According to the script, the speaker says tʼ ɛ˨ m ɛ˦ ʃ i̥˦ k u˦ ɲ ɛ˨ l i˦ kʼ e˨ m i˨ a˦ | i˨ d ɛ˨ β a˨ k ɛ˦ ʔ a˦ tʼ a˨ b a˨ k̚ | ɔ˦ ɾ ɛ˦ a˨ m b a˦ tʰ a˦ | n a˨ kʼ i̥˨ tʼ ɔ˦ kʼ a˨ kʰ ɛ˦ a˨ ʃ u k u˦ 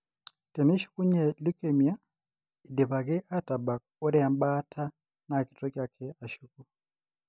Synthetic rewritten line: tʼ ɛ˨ m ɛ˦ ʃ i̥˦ k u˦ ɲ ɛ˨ l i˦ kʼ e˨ m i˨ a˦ | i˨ d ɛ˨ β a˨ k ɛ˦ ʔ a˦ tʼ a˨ b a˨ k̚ | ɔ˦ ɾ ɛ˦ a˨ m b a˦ tʰ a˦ | n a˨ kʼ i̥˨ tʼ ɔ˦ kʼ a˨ kʰ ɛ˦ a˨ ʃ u k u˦